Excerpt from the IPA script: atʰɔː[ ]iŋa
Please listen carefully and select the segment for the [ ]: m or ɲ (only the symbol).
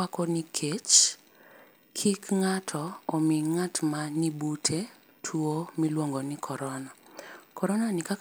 m